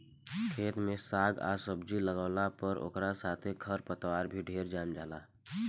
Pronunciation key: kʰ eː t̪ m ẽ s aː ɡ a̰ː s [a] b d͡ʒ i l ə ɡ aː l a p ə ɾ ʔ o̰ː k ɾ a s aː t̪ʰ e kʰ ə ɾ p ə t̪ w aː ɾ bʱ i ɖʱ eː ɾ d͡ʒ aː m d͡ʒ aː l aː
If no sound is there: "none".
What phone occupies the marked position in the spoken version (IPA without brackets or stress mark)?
ə